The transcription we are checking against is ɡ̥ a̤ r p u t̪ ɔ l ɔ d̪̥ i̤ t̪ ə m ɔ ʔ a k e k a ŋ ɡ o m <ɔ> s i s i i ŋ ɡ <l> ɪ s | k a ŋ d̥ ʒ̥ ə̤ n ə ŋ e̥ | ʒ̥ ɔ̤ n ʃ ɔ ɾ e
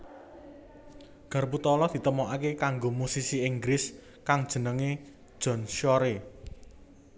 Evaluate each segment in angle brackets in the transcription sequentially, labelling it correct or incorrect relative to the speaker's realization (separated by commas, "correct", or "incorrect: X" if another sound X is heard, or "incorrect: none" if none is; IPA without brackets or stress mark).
incorrect: u, incorrect: ɾ